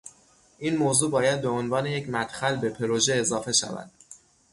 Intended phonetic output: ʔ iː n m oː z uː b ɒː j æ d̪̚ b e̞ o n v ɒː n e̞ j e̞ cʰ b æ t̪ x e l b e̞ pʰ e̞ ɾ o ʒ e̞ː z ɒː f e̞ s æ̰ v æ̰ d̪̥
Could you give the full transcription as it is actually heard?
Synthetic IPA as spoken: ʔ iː n m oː z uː b ɒː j æ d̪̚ b e̞ o n v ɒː n e̞ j e̞ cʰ m æ t̪ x æ l b e̞ pʰ e̞ ɾ o ʒ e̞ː z ɒː f e̞ ʃ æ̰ v æ̰ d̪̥